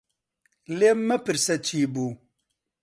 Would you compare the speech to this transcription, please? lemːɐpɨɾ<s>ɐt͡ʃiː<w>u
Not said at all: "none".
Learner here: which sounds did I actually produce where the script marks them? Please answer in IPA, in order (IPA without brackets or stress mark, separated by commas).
s, b